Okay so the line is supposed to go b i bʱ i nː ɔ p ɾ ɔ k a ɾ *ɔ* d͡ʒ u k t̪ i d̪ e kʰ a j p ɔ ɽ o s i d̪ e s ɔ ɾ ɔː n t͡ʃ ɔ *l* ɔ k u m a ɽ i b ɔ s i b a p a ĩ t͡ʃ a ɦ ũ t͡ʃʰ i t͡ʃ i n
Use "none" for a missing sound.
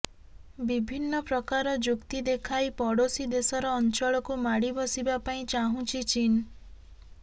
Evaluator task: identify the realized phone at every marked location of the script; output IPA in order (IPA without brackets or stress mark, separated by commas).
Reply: ɔ, ɭ